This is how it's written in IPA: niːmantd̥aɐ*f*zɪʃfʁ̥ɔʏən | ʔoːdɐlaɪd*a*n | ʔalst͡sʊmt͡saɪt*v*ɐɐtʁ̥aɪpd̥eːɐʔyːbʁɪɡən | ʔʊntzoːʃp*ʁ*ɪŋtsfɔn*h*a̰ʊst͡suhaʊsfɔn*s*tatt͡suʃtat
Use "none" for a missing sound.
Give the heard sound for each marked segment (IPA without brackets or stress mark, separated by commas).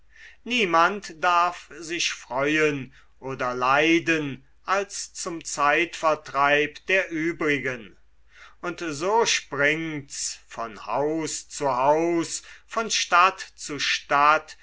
f, ə, f, ʁ, h, ʃ